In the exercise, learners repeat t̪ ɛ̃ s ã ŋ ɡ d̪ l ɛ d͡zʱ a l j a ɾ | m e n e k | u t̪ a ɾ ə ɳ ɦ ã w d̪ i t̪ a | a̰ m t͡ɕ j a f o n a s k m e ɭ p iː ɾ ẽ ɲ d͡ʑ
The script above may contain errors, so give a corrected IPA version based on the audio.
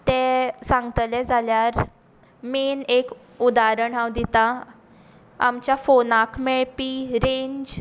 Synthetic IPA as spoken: t̪ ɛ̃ s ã ŋ ɡ t̪ l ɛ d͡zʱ a l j a ɾ | m e n e k | u d̪ a ɾ ə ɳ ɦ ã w d̪ i t̪ a | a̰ m t͡ɕ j a f o n a k m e ɭ p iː ɾ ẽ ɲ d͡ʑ